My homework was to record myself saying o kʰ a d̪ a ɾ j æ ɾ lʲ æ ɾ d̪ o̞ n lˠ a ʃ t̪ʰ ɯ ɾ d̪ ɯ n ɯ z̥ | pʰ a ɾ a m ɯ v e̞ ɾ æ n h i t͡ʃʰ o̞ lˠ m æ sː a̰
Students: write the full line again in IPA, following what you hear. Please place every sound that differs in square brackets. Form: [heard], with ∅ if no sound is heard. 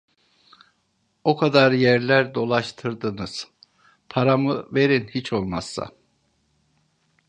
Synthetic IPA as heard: o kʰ a d̪ a ɾ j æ ɾ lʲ æ ɾ d̪ o̞ [∅] lˠ a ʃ t̪ʰ ɯ ɾ d̪ ɯ n ɯ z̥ | pʰ a ɾ a m ɯ v e̞ ɾ [i] n h i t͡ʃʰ o̞ lˠ m [a] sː a̰